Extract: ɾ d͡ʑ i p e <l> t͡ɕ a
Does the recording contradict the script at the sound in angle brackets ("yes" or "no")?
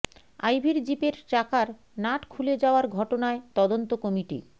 yes